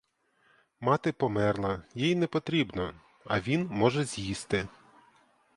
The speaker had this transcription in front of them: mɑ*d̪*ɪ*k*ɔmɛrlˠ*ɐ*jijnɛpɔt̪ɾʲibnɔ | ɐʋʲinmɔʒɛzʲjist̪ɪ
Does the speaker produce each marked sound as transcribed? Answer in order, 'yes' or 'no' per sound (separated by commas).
no, no, yes